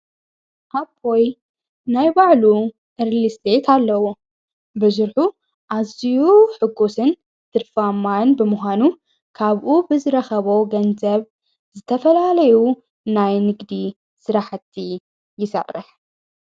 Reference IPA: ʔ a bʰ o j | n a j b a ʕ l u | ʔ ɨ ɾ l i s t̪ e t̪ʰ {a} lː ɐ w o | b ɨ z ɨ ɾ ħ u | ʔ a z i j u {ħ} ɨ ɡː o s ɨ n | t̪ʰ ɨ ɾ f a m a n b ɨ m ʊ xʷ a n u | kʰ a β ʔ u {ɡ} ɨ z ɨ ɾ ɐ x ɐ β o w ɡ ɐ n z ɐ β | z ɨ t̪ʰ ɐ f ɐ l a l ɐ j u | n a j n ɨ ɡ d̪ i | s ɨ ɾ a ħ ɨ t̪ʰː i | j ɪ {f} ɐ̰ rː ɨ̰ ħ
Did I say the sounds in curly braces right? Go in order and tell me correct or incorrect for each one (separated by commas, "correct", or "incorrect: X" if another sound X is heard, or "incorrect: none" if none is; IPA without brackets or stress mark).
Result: correct, correct, incorrect: b, incorrect: s